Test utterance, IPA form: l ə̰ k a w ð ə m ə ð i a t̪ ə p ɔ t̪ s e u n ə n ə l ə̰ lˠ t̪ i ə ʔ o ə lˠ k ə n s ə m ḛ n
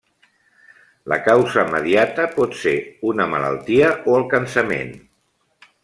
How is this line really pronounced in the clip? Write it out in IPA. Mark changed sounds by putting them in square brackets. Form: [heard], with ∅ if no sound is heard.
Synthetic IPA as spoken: l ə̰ k a w [z] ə m ə ð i a t̪ ə p ɔ t̪ s e u n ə [m] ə l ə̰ lˠ t̪ i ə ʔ o ə lˠ k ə n s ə m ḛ n